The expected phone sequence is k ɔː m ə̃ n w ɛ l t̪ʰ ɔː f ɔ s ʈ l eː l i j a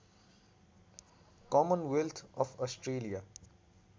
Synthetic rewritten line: k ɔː m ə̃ n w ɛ l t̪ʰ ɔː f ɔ s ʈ ɾ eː l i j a